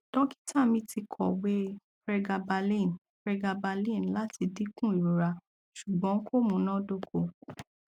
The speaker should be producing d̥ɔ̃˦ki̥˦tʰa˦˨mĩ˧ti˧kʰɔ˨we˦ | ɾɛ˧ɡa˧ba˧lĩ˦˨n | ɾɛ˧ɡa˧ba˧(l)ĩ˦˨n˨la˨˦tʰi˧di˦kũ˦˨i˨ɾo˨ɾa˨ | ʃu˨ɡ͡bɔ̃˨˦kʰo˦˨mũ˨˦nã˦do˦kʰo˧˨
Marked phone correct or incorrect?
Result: correct